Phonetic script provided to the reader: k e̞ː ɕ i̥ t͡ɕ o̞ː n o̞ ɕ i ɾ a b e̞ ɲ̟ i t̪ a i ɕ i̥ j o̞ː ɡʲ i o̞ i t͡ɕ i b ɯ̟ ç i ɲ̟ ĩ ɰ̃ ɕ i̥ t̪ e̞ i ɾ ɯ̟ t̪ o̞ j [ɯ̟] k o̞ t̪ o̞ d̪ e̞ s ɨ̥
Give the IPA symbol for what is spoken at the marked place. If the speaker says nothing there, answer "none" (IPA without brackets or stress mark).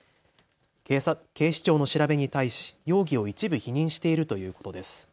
ɯ̟ː